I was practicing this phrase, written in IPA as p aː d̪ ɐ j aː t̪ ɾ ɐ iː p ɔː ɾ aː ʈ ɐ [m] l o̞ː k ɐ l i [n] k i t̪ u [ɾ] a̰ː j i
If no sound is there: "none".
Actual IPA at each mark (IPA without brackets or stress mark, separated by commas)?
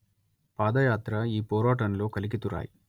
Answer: n, none, ɾ